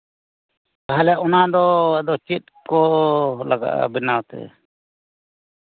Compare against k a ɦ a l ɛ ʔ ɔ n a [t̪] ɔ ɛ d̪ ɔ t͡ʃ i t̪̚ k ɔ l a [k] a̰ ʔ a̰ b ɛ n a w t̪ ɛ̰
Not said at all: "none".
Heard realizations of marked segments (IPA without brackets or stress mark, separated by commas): d̪, ɡ